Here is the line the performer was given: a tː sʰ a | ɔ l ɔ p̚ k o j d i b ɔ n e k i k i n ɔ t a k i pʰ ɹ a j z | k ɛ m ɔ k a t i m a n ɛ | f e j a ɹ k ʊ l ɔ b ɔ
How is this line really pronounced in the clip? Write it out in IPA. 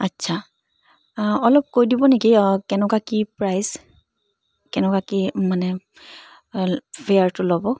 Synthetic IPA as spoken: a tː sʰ a | ɔ l ɔ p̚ k o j d i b ɔ n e k i k ɛ n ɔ k a k i p ɹ a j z | k ɛ n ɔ k a k i m a n ɛ | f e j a ɹ t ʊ l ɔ b ɔ